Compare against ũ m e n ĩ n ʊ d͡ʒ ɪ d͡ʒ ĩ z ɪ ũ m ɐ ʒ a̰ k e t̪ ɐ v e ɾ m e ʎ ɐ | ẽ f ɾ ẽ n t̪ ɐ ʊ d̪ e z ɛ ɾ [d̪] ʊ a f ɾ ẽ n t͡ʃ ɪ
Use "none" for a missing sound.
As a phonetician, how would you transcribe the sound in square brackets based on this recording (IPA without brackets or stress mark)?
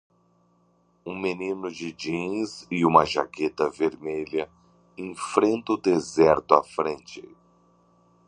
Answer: t̪